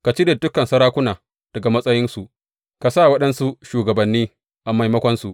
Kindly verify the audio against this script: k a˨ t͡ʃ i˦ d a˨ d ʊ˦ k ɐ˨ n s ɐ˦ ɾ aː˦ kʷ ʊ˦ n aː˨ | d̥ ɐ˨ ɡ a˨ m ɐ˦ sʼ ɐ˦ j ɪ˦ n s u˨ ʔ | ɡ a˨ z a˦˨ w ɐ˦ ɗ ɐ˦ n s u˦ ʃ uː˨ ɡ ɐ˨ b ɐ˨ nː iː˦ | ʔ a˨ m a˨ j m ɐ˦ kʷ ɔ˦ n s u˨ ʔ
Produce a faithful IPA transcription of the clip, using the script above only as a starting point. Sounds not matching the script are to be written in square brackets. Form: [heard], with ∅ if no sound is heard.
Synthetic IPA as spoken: k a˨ t͡ʃ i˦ d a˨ d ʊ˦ k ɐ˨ n s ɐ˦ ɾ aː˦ kʷ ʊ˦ n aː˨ | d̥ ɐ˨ ɡ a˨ m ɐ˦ sʼ ɐ˦ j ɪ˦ n s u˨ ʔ | [k] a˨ [s] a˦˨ w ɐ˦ ɗ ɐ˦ n s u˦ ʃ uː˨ ɡ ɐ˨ b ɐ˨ nː iː˦ | ʔ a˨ m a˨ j m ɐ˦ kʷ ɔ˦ n s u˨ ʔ

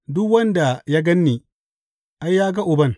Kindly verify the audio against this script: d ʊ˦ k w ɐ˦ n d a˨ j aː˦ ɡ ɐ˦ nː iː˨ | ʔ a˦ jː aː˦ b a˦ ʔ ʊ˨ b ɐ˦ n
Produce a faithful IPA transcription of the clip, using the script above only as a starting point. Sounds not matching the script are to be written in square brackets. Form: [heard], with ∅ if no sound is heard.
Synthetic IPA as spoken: d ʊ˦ k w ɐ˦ n d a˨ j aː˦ ɡ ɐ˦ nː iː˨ | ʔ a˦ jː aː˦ [ɡ] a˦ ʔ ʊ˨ b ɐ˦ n

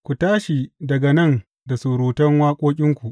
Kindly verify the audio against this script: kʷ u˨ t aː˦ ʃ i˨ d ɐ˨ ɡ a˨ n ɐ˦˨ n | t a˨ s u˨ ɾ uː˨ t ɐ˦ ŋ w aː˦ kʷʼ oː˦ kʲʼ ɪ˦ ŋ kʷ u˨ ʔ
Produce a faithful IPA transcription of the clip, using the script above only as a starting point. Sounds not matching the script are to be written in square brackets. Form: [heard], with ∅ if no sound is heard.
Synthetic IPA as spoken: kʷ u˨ t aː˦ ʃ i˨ d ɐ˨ ɡ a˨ n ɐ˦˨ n | [d] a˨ s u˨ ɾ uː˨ t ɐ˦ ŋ w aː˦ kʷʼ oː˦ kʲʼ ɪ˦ ŋ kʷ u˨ ʔ

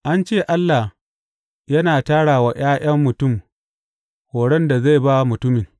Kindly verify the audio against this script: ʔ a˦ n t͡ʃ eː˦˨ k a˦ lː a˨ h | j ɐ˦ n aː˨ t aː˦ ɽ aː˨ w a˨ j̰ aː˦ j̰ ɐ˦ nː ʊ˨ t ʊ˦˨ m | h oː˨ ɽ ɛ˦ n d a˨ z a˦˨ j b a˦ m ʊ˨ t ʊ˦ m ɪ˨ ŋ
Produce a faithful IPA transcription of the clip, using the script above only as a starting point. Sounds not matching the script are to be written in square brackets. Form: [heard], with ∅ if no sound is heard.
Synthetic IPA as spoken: ʔ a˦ n t͡ʃ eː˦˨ [ʔ] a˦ lː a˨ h | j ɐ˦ n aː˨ t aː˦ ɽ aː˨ w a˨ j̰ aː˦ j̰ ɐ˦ [mː] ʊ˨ t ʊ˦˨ m | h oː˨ ɽ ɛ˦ n d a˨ z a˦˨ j b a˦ m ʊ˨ t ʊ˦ m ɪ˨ ŋ

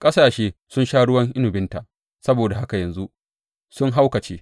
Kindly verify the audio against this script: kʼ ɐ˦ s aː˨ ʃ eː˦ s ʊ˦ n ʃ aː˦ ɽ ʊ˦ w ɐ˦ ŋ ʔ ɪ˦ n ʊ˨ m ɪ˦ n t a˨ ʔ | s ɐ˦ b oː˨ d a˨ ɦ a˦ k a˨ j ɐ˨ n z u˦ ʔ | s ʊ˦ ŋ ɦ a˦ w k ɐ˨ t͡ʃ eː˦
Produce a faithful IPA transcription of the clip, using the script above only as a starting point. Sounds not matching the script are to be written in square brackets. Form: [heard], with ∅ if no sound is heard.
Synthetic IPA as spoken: kʼ ɐ˦ s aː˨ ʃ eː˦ s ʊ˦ n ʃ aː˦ ɽ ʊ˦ w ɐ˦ ŋ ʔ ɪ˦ n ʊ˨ [b] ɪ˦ n t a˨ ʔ | s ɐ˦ b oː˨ d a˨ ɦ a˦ k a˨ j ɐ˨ n z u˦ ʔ | s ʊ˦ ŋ ɦ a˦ w k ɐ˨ t͡ʃ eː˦

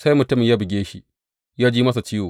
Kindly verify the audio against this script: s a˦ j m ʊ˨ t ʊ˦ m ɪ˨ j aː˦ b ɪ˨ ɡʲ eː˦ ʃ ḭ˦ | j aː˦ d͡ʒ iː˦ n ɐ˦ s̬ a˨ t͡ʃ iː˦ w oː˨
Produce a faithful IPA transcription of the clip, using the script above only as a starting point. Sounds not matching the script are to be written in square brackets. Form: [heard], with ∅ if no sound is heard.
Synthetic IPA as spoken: s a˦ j m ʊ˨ t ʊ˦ m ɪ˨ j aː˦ b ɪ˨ ɡʲ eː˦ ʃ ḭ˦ | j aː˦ d͡ʒ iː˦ [m] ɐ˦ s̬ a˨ t͡ʃ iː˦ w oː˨

